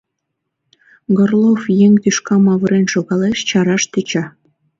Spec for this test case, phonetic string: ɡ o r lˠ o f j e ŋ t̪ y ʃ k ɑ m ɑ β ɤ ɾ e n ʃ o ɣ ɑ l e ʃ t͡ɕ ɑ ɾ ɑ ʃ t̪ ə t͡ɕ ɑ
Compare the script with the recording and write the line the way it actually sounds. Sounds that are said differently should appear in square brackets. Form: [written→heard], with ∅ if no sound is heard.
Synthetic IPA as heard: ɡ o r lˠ o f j e ŋ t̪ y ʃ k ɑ m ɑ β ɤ ɾ e n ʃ o ɣ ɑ l e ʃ t͡ɕ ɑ ɾ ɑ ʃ t̪ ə t͡ɕ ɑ